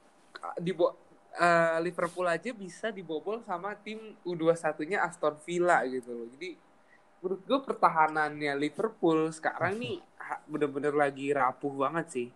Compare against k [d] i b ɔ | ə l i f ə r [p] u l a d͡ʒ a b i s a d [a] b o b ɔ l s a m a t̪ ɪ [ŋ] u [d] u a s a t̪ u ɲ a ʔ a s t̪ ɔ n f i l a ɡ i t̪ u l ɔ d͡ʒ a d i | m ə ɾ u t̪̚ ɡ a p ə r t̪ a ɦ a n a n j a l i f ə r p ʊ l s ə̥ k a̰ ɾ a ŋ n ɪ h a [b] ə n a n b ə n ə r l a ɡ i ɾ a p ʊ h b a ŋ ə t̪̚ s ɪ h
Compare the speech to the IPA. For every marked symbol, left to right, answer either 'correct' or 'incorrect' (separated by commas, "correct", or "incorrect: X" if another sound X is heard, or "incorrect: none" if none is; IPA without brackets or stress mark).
correct, correct, incorrect: i, incorrect: m, correct, correct